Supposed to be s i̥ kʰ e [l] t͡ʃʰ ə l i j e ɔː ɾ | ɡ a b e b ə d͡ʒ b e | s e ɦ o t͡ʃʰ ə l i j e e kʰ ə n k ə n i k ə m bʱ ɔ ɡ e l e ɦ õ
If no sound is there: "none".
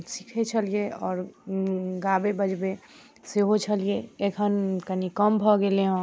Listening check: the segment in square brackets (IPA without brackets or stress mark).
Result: none